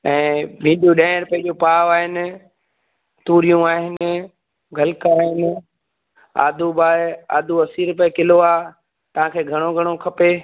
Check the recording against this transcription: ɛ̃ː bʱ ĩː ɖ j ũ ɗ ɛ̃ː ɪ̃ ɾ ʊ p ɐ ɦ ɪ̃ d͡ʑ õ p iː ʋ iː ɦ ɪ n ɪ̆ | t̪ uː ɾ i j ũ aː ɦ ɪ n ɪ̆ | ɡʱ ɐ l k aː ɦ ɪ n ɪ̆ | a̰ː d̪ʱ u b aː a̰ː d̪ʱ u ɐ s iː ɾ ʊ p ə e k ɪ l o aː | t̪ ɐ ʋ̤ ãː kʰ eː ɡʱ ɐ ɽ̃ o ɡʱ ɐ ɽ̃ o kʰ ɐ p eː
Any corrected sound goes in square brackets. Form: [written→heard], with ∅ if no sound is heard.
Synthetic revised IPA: ɛ̃ː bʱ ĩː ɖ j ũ ɗ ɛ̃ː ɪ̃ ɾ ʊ p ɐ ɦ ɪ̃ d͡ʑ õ p [iː→aː] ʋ [iː→aː] ɦ ɪ n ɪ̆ | t̪ uː ɾ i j ũ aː ɦ ɪ n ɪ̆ | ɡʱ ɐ l k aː ɦ ɪ n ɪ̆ | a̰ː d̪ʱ u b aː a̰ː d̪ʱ u ɐ s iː ɾ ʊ p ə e k ɪ l o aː | t̪ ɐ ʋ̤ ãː kʰ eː ɡʱ ɐ ɽ̃ o ɡʱ ɐ ɽ̃ o kʰ ɐ p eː